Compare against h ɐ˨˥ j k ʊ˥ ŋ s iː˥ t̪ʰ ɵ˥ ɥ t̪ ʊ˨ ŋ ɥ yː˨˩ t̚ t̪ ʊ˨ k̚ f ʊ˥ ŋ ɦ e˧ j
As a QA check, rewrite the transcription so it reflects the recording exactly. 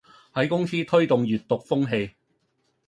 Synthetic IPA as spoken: h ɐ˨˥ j k ʊ˥ ŋ s iː˥ t̪ʰ ɵ˥ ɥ t̪ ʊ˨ ŋ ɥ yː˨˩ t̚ t̪ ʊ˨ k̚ f ʊ˥ ŋ ɦ e˧ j